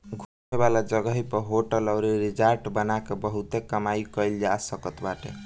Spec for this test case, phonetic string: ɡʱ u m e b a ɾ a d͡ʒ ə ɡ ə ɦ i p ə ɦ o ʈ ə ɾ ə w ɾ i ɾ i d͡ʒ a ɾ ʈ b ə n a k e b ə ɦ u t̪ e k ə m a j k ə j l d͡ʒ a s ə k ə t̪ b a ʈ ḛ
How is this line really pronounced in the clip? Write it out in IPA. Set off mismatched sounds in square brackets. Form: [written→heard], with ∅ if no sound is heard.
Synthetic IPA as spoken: ɡʱ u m e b a [ɾ→l] a d͡ʒ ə ɡ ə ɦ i p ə ɦ o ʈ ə [ɾ→l] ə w ɾ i ɾ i d͡ʒ a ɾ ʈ b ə n a k e b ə ɦ u t̪ e k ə m a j k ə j l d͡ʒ a s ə k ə t̪ b a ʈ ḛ